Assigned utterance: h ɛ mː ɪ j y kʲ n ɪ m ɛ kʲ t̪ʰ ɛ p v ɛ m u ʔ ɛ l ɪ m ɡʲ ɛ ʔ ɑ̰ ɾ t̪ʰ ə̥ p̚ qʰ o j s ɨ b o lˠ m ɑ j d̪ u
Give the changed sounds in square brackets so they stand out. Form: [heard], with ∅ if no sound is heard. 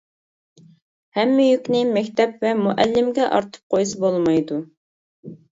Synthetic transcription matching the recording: h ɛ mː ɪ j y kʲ n ɪ m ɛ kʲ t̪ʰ ɛ p v ɛ m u ʔ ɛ [lː] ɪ m ɡʲ ɛ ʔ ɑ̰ ɾ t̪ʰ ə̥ p̚ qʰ o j s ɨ b o lˠ m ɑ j d̪ u